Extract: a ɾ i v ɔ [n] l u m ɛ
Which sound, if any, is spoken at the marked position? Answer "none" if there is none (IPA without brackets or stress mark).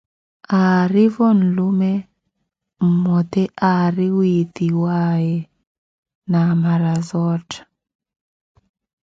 n